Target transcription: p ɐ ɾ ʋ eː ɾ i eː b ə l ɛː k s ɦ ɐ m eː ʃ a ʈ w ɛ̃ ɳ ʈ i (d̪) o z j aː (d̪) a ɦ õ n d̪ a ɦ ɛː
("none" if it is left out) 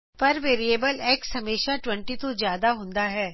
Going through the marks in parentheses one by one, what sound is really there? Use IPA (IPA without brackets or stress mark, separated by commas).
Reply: t̪, d̪